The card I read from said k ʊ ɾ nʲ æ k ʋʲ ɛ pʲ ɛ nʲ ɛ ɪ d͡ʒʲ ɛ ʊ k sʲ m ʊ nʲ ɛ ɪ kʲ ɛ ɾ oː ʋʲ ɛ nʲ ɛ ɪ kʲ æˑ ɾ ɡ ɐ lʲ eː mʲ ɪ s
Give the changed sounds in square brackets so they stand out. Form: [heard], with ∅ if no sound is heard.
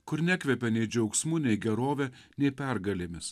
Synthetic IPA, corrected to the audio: k ʊ ɾ nʲ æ k ʋʲ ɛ pʲ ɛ nʲ ɛ ɪ d͡ʒʲ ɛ ʊ k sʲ m ʊ nʲ ɛ ɪ [ɡʲ] ɛ ɾ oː ʋʲ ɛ nʲ ɛ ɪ [pʲ] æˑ ɾ ɡ ɐ lʲ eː mʲ ɪ s